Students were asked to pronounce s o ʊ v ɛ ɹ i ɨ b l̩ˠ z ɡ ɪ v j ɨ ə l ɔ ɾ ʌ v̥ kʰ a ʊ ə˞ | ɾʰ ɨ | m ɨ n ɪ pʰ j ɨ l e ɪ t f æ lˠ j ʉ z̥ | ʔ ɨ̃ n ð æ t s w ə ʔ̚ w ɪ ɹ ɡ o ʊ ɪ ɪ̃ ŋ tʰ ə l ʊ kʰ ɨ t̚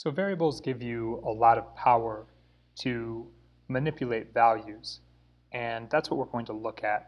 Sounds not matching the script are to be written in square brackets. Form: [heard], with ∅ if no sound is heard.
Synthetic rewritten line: s o ʊ v ɛ ɹ i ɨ b l̩ˠ z ɡ ɪ v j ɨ ə l ɔ ɾ ʌ v̥ [pʰ] a ʊ ə˞ | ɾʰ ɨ | m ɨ n ɪ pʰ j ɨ l e ɪ t [v] æ lˠ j ʉ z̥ | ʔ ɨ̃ n ð æ t s w [ʌ] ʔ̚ w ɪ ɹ ɡ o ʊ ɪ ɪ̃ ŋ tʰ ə l ʊ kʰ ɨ t̚